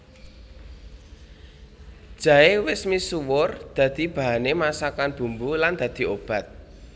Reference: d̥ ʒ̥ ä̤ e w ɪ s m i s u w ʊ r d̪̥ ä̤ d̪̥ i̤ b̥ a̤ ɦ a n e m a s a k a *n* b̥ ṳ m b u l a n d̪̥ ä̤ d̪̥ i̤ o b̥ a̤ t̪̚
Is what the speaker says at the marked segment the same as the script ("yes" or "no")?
yes